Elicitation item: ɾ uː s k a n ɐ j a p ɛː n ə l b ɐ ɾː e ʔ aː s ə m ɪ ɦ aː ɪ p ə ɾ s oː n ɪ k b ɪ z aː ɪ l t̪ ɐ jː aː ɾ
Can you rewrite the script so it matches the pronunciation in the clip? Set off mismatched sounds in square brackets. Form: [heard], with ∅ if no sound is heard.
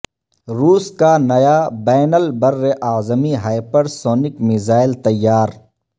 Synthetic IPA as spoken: ɾ uː s k a n ɐ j a [b] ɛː n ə l b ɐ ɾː e ʔ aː [z] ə m [i] ɦ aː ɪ p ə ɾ s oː n ɪ k [m] ɪ z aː ɪ l t̪ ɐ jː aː ɾ